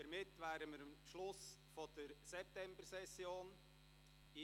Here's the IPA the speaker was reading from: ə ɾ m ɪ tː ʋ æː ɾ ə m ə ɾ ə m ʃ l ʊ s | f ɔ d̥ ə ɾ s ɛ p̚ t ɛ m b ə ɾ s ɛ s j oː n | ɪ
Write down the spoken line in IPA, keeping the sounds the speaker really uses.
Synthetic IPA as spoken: ə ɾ m ɪ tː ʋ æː ɾ ə m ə ɾ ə m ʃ l ʊ s | f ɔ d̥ ə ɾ s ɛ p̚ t ɛ m b ə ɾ s ɛ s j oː n | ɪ